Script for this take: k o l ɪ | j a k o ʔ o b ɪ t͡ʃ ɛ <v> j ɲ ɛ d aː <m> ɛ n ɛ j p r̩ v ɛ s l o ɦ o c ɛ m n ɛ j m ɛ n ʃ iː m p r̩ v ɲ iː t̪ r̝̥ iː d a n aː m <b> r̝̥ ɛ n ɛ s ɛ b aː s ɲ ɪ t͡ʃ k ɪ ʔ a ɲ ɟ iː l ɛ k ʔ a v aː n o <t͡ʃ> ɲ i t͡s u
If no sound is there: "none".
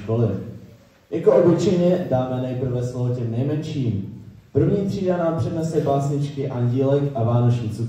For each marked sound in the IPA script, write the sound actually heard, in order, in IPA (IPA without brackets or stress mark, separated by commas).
none, m, p, t͡ʃ